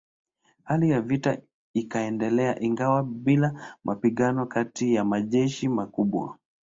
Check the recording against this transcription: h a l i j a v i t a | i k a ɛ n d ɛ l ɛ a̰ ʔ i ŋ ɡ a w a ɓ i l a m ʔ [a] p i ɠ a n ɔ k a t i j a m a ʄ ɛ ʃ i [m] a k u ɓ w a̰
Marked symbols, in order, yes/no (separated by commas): yes, yes